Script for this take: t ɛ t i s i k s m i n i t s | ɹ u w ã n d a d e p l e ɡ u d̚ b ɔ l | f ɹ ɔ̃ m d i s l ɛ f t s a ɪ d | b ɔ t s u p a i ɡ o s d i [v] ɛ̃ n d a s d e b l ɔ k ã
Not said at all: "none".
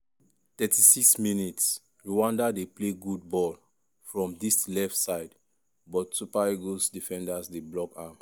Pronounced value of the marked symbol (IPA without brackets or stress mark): f